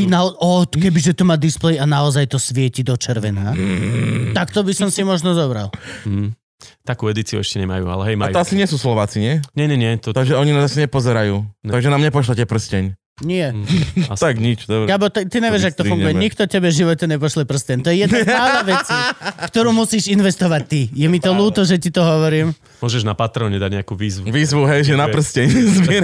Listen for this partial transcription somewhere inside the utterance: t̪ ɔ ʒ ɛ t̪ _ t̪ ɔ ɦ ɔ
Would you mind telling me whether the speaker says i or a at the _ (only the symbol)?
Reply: i